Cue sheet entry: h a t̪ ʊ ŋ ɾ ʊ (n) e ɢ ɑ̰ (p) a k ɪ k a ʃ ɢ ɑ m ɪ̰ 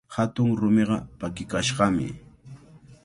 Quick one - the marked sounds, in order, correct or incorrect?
incorrect: m, correct

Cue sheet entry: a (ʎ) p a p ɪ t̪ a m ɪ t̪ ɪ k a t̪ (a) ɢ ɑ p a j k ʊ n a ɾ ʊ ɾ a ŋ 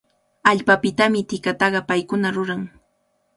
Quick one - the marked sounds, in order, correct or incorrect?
correct, incorrect: ɑ

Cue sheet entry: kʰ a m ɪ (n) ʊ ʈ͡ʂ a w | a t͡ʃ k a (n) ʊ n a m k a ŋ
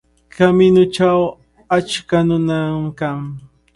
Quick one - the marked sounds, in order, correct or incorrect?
correct, correct

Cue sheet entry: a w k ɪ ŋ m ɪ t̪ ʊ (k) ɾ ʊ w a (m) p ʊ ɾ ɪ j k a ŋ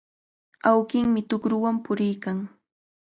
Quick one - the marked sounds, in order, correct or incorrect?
correct, correct

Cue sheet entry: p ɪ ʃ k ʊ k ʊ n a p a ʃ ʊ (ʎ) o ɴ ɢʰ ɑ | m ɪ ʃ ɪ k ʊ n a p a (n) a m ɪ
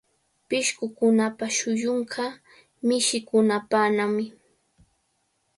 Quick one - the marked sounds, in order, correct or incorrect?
incorrect: j, correct

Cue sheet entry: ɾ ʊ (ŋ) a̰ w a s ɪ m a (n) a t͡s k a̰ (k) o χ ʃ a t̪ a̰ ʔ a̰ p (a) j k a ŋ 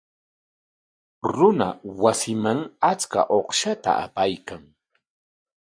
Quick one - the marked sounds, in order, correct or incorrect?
incorrect: n, incorrect: ŋ, incorrect: ʔ, correct

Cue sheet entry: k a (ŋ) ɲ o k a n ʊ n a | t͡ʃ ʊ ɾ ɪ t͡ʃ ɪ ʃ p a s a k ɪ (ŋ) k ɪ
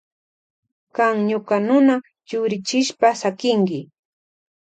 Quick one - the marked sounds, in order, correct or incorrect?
correct, correct

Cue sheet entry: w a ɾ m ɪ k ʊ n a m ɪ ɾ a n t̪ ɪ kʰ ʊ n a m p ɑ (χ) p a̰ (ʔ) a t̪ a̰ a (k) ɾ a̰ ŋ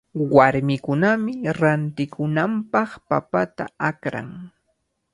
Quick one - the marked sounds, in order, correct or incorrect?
correct, incorrect: p, correct

